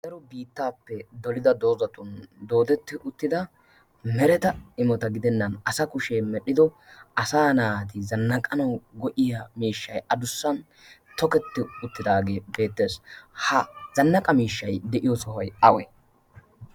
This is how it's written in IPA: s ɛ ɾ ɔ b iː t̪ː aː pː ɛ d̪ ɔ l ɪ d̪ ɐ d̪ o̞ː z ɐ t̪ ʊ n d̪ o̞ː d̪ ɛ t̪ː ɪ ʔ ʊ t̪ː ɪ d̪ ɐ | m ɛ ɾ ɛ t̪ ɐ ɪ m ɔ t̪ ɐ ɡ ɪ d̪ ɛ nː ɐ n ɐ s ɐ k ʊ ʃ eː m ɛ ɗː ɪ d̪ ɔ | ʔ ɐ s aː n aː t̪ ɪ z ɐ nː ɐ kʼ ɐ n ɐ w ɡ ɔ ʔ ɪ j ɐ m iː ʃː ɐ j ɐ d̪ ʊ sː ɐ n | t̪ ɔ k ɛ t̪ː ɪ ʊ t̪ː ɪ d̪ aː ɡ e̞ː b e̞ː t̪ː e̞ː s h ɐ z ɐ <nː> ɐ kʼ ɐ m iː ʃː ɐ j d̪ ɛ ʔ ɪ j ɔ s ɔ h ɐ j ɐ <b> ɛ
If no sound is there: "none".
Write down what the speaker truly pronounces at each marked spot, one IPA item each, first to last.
nː, w

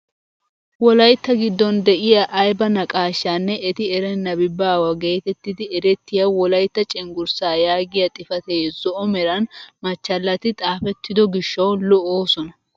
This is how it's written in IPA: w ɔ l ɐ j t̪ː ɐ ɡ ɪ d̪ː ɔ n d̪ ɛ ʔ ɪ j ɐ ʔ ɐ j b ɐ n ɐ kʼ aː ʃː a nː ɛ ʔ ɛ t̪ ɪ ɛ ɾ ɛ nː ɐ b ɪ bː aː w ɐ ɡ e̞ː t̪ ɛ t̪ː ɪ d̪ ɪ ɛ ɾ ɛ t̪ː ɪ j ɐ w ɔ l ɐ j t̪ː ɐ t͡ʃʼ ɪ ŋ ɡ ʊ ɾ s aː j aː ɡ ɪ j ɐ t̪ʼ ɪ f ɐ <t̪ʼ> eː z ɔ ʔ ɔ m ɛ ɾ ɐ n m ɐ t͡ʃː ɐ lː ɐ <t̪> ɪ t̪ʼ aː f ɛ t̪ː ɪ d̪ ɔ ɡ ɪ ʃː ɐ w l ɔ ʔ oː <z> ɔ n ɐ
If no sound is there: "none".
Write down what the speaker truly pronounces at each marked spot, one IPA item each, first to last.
t̪, t̪, s

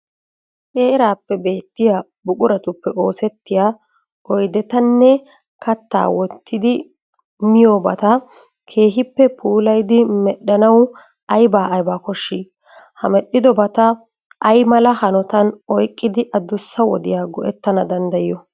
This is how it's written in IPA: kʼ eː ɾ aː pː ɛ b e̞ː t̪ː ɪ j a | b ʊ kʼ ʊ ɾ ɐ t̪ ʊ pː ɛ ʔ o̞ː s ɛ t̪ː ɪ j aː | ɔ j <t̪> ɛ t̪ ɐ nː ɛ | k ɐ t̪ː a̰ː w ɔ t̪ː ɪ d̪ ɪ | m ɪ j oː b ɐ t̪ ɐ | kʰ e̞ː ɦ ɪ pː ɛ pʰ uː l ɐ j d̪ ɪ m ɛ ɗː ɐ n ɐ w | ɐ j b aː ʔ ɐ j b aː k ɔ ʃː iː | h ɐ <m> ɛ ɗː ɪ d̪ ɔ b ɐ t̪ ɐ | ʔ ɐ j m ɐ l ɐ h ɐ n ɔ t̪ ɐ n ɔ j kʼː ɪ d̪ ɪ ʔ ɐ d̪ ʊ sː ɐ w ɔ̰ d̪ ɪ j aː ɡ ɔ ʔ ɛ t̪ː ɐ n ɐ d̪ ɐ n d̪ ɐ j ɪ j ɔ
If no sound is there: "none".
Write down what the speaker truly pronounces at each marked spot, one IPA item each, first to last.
d̪, m

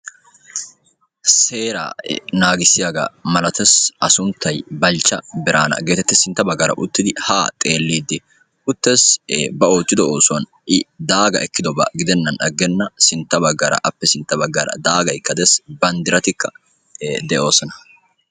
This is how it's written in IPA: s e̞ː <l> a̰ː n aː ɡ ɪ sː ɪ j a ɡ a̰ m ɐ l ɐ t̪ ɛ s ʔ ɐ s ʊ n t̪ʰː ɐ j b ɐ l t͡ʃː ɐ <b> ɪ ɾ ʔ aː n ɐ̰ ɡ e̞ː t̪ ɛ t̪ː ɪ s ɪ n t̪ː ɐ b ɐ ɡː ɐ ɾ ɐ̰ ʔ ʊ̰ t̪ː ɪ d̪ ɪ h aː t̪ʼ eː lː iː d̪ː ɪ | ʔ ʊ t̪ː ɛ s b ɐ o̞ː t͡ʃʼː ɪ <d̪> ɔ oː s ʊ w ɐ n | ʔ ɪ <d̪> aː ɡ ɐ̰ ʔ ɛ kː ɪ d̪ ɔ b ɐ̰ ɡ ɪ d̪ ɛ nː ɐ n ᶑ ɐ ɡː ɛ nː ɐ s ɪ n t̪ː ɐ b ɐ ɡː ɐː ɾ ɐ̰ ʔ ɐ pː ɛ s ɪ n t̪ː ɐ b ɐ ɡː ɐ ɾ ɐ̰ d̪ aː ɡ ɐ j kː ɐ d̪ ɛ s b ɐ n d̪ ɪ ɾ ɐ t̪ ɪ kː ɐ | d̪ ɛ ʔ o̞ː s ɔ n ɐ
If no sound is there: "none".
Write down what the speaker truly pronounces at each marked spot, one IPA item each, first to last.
ɾ, b, d̪, d̪

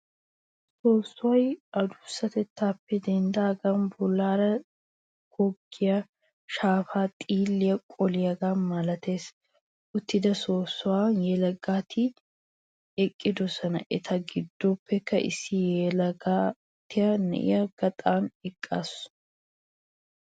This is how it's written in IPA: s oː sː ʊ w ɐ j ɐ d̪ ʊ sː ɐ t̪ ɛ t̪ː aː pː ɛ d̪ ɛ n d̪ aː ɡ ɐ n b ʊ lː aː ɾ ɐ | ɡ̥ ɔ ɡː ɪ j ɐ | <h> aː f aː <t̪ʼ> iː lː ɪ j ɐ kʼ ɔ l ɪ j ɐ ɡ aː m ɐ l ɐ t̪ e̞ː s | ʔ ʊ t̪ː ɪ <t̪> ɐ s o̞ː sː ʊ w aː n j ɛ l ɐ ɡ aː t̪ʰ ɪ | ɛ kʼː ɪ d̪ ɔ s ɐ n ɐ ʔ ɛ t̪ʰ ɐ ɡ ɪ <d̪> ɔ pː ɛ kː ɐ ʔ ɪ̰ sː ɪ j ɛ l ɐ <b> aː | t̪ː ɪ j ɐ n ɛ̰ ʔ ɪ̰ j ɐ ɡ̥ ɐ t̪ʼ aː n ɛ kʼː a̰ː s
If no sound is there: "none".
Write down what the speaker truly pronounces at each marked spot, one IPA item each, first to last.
ʃ, t̪ʼ, d̪, d̪ː, ɡ

